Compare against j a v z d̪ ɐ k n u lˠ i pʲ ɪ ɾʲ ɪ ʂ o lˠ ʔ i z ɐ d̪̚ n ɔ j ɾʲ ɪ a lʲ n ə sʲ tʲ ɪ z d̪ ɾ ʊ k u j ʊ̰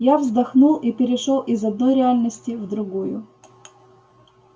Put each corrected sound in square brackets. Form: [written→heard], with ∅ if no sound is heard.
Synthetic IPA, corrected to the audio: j a v z d̪ ɐ [k→x] n u lˠ i pʲ ɪ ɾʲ ɪ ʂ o lˠ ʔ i z ɐ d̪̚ n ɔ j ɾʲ ɪ a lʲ n ə sʲ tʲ ɪ [z→v] d̪ ɾ ʊ [k→ɡ] u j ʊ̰